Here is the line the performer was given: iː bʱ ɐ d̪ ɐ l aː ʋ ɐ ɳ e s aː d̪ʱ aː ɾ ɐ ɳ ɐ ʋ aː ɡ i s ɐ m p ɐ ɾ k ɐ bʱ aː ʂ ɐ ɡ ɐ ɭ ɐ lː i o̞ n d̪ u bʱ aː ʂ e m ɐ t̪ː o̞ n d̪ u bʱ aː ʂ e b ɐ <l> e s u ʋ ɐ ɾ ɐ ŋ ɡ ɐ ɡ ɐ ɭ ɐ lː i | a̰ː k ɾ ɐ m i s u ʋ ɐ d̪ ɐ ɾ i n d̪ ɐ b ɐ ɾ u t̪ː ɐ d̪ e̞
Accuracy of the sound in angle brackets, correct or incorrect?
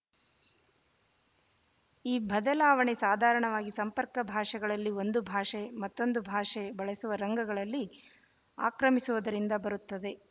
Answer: incorrect